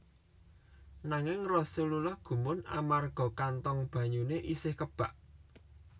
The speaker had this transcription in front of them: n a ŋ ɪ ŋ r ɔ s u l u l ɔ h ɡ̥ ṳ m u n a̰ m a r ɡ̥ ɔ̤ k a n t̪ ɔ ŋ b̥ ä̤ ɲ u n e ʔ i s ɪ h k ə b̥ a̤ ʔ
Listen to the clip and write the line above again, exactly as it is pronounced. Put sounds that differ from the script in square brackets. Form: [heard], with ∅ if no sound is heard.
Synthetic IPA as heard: n a ŋ ɪ ŋ r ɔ s u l u l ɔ h ɡ̥ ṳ m [ʊ] n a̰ m a r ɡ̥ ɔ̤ k a n t̪ ɔ ŋ b̥ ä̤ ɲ u n e ʔ i s ɪ h k ə b̥ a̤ ʔ

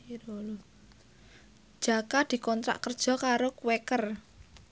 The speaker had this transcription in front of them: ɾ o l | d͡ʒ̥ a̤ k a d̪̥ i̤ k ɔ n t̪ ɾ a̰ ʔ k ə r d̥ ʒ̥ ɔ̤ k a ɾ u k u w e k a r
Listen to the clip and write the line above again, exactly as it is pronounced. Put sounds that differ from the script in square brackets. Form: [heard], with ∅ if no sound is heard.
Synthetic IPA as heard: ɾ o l | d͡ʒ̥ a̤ k a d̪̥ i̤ k ɔ n t̪ ɾ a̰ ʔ k ə r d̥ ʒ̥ ɔ̤ k a ɾ [o] k u w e k [ə] r

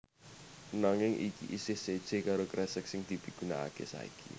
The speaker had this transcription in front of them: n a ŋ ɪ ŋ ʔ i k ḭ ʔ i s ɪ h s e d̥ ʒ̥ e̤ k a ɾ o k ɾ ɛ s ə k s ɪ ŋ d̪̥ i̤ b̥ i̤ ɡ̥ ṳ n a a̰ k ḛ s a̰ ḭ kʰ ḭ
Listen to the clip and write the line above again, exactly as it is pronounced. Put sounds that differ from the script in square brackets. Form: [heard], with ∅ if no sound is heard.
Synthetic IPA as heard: n a ŋ ɪ ŋ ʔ i k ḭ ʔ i s ɪ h s e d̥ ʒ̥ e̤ k a ɾ o k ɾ ɛ s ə k s ɪ ŋ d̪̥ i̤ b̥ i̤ ɡ̥ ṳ n a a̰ k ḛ s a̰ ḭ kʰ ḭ

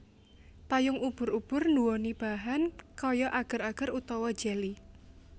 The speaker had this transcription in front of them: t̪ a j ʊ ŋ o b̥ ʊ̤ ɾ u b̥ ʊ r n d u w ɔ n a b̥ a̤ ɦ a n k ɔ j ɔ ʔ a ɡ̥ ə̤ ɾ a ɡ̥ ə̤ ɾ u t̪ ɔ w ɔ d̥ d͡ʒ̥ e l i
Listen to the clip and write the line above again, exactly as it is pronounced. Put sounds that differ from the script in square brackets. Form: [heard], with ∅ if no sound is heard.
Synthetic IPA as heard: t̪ a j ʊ ŋ [u] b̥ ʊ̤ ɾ u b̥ ʊ r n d u w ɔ n [i] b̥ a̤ ɦ a n k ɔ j ɔ ʔ a ɡ̥ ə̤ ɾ a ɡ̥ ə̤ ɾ u t̪ ɔ w ɔ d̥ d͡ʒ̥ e l i

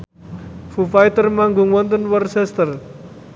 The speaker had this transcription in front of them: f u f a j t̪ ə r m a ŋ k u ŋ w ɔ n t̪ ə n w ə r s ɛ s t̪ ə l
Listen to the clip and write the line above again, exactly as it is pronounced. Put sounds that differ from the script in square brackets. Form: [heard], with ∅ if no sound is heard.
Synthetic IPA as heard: f u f a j t̪ ə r m a ŋ [ɡ] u ŋ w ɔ n t̪ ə n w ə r s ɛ s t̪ ə [r]

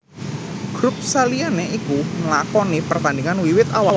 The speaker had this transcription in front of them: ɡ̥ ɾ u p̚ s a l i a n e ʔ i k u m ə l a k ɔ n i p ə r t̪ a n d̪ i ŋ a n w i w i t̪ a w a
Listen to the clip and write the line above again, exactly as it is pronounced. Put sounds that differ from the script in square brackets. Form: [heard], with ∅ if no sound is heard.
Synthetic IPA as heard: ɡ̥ ɾ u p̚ s a l i a n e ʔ i k u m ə l a k ɔ n i p ə r t̪ a n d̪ i ŋ a n w i w [ɪ] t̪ a w a

